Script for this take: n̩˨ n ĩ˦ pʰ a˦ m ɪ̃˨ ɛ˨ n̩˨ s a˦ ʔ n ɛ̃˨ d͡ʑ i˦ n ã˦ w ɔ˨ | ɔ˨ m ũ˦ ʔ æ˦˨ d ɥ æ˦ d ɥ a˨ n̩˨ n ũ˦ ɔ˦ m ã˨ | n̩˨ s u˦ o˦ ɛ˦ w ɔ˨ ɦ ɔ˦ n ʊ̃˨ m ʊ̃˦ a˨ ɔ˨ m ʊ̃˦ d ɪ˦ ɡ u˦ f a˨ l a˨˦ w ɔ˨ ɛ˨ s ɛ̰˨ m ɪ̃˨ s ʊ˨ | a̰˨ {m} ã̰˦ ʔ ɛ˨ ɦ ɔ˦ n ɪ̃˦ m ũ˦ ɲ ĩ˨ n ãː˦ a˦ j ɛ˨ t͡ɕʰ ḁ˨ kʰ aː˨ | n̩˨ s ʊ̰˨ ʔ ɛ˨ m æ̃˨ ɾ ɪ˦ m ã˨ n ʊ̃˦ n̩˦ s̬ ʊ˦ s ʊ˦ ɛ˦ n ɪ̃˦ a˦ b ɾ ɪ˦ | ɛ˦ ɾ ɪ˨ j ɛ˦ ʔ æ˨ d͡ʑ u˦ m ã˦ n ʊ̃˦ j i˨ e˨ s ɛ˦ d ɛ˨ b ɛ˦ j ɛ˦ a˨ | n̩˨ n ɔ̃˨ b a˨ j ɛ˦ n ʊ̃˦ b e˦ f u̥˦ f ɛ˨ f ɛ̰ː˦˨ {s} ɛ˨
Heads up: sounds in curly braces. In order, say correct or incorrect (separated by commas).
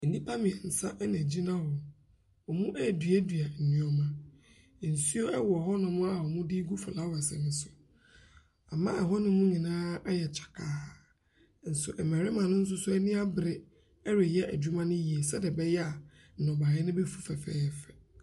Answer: correct, incorrect